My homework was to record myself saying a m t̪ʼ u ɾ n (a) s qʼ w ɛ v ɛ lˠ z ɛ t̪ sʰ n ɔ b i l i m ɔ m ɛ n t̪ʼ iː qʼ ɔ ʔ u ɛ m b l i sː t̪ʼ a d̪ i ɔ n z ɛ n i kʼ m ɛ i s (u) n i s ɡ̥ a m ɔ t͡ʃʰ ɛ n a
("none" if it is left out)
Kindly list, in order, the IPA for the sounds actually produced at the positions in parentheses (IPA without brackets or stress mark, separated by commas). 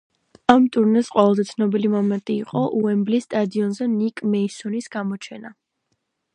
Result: ɛ, ɔ